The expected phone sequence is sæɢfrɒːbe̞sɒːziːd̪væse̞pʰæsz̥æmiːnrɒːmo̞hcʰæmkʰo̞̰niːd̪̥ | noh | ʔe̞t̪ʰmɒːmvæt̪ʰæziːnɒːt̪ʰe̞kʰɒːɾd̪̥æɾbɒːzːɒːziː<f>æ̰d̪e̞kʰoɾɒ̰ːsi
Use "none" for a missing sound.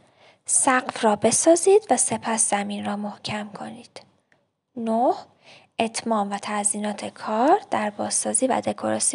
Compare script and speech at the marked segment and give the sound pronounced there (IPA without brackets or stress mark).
v